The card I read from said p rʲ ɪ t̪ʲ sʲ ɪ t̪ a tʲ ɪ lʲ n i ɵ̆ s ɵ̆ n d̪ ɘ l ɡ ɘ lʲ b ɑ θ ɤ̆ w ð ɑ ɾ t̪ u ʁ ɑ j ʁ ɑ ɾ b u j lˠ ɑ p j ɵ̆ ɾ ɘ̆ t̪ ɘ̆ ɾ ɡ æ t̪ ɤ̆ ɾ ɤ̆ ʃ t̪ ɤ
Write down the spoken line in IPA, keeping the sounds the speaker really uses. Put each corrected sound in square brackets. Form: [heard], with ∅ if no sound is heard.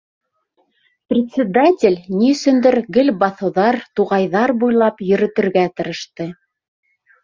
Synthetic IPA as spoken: p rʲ ɪ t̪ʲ sʲ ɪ [d̪] a tʲ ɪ lʲ n i ɵ̆ s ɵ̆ n d̪ ɘ [ɾ] ɡ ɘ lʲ b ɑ θ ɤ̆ w ð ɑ ɾ t̪ u ʁ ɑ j [ð] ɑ ɾ b u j lˠ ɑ p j ɵ̆ ɾ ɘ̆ t̪ ɘ̆ ɾ ɡ æ t̪ ɤ̆ ɾ ɤ̆ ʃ t̪ ɤ